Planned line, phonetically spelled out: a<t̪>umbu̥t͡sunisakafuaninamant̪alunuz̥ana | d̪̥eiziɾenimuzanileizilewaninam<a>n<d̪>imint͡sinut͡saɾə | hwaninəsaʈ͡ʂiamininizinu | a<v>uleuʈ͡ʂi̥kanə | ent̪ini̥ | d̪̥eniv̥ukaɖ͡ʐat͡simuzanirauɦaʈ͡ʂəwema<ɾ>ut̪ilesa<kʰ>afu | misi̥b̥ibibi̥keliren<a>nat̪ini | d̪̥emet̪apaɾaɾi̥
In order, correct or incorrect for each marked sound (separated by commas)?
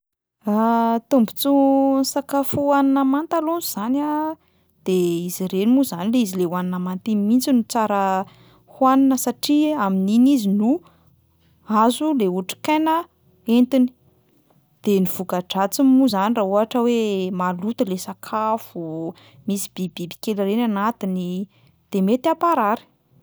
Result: correct, correct, incorrect, incorrect, incorrect, correct, correct